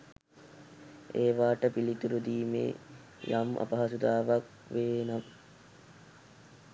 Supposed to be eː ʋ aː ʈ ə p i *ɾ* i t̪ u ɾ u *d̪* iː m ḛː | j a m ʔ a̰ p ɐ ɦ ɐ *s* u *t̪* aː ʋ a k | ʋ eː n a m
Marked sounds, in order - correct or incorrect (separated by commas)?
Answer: incorrect, correct, correct, incorrect